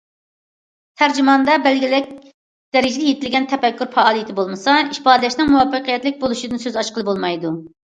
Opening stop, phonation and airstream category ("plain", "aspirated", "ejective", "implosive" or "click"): aspirated